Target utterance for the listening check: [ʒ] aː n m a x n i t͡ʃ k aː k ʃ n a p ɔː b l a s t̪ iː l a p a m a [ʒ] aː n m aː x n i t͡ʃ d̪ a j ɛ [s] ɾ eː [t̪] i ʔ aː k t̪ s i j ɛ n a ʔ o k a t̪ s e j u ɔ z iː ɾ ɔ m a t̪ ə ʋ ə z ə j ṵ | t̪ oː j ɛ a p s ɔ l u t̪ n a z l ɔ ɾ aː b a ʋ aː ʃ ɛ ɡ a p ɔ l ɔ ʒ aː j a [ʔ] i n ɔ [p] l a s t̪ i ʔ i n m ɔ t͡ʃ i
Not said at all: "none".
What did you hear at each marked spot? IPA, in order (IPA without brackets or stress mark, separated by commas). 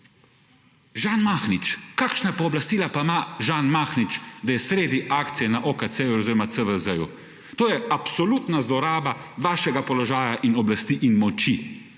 ʒ, ʒ, s, d̪, ʔ, b